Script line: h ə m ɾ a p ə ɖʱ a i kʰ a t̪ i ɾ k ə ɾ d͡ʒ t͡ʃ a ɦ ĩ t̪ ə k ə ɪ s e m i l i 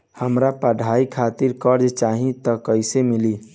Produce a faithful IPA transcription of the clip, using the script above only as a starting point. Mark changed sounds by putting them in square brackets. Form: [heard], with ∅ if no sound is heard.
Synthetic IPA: h ə m ɾ a p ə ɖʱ a i kʰ a t̪ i ɾ k ə ɾ d͡ʒ t͡ʃ a ɦ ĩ t̪ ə k ə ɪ s e m i l i